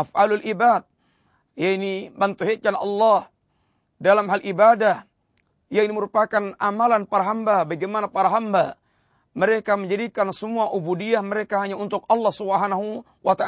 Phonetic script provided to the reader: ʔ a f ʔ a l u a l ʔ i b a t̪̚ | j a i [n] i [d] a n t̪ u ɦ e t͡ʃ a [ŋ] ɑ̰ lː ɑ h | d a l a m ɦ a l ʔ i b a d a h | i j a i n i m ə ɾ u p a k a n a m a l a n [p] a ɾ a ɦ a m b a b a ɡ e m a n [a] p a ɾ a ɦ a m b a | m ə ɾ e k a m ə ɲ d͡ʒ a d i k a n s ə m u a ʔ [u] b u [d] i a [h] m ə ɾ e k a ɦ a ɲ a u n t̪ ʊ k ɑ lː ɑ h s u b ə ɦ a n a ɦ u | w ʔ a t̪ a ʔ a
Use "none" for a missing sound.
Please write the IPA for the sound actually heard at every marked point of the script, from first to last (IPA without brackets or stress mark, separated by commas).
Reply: n, b, n, p, a, u, d, h